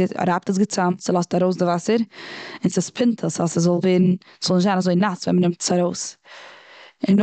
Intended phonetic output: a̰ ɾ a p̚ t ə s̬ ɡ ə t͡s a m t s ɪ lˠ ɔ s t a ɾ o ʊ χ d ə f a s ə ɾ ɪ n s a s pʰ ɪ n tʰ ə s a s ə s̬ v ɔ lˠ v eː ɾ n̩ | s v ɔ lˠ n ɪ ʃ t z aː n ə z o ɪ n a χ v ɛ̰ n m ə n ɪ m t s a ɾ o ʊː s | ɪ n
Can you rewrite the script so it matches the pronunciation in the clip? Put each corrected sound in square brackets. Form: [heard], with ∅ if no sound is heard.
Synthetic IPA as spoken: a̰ ɾ a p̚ t ə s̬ ɡ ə t͡s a m t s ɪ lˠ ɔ s t a ɾ o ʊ [s] d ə [v] a s ə ɾ ɪ n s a s pʰ ɪ n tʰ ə s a s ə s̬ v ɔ lˠ v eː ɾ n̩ | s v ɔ lˠ n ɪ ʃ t z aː n [a] z o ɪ n a [s] v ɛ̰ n m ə n ɪ m t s a ɾ o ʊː s | ɪ n